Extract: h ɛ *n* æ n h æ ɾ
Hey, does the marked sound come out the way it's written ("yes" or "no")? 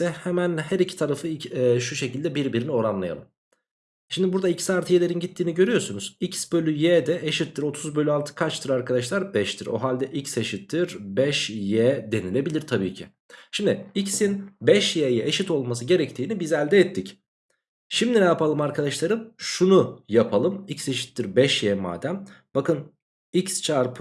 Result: no